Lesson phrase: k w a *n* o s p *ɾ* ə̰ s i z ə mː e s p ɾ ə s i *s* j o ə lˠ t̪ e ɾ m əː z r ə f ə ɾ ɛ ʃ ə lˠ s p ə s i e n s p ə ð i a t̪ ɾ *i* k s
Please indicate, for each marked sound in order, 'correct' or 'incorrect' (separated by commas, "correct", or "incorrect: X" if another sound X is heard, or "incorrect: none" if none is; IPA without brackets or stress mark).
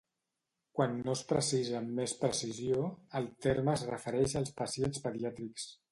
incorrect: nː, correct, incorrect: z, correct